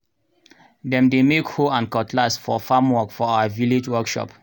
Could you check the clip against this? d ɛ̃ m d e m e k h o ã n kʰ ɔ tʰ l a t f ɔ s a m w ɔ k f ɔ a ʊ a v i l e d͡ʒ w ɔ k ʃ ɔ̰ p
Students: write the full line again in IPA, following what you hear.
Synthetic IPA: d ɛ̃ m d e m e k h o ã n k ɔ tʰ l a s f ɔ f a m w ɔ k f ɔ a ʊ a v i l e d͡ʒ w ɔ k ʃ ɔ̰ p